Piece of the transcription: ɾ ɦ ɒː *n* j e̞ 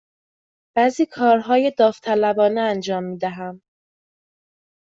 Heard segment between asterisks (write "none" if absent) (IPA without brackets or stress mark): none